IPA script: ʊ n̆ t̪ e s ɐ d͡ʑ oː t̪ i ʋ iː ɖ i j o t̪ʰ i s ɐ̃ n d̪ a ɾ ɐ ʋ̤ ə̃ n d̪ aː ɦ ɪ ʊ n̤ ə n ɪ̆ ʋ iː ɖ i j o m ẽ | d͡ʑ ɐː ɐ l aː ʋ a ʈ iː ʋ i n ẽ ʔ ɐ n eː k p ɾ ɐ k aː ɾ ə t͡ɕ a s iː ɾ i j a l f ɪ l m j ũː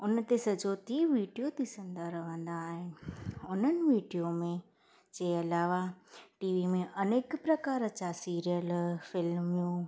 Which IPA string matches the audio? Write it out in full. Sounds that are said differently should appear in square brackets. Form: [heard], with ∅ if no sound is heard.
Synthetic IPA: ʊ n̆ t̪ e s ɐ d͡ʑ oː t̪ i ʋ iː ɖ i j o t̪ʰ i s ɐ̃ n d̪ a ɾ ɐ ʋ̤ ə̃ n d̪ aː ɦ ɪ ʊ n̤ ə n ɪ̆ ʋ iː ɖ i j o m ẽ | d͡ʑ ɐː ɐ l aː ʋ a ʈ iː ʋ i [m] ẽ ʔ ɐ n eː k p ɾ ɐ k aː ɾ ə t͡ɕ a s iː ɾ i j [ə] l f ɪ l m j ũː